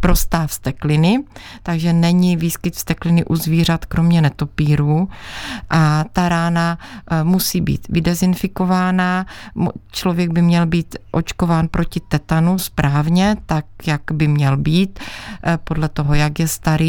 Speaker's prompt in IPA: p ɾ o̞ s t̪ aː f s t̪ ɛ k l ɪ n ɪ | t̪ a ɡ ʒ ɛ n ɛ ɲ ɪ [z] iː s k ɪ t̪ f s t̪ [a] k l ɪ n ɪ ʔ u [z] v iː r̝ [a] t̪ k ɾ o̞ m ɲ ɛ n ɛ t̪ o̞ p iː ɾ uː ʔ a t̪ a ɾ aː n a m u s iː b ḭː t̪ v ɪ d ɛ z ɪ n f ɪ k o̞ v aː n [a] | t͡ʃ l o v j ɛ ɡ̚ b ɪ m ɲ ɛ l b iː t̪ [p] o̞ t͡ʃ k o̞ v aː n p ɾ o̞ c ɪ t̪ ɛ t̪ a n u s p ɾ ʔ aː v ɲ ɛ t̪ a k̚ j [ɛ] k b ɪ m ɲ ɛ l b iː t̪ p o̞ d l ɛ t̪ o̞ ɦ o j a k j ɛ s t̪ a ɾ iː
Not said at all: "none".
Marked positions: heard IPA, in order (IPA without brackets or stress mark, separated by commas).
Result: v, ɛ, z, a, a, ʔ, a